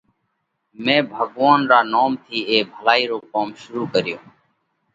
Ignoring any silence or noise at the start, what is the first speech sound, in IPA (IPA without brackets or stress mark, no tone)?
m